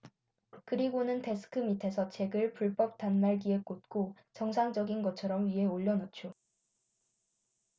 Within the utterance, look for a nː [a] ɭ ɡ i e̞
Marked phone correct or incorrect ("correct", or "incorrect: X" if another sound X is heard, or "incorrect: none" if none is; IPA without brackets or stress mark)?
correct